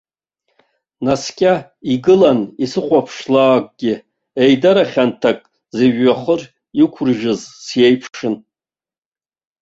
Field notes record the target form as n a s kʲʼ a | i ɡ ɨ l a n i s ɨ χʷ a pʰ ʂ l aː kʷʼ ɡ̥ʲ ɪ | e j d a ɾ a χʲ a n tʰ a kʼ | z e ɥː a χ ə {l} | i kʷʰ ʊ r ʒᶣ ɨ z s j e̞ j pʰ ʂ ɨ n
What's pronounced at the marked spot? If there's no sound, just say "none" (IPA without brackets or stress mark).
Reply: r